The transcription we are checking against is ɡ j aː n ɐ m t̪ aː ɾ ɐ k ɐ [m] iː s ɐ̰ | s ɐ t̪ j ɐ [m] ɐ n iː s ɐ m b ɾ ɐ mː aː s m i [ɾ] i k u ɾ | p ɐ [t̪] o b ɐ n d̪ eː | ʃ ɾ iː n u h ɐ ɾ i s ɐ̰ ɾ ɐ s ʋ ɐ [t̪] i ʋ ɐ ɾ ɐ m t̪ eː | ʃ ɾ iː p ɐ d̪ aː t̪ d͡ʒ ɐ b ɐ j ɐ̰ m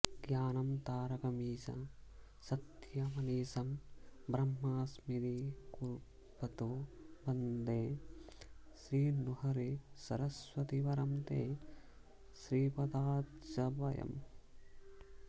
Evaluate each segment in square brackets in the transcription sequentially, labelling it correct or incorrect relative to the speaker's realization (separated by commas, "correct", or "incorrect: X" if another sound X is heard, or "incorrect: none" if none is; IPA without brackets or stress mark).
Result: correct, correct, correct, correct, correct